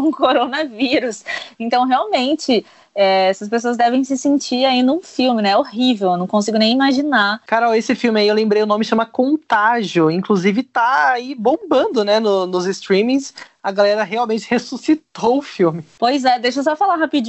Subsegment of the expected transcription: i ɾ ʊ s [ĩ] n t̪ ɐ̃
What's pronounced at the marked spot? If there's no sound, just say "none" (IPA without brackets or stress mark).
ẽ